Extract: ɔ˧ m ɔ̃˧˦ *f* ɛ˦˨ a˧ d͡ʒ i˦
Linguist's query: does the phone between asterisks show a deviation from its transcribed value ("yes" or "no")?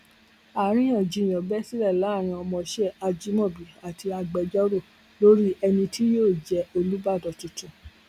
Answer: yes